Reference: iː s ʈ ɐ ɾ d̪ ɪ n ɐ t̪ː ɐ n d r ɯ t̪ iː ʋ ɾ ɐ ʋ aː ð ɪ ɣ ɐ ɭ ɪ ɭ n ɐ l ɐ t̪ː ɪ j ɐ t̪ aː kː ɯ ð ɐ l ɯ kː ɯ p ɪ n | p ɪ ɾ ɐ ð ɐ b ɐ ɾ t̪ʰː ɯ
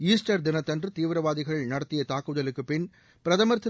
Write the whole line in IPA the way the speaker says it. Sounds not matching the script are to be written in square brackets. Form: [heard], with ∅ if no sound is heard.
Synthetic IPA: iː s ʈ ɐ ɾ d̪ ɪ n ɐ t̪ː ɐ n d r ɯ t̪ iː ʋ ɾ ɐ ʋ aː ð ɪ ɣ ɐ ɭ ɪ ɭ n ɐ [ɽ] ɐ t̪ː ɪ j ɐ t̪ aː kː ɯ ð ɐ l ɯ kː ɯ p ɪ n | p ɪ ɾ ɐ ð ɐ [m] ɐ ɾ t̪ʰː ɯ